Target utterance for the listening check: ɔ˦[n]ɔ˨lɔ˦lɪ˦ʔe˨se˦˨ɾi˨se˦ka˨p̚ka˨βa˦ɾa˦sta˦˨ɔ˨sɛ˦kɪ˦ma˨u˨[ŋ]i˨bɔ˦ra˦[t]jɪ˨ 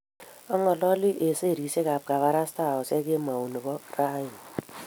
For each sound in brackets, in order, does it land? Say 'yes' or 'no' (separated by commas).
no, no, no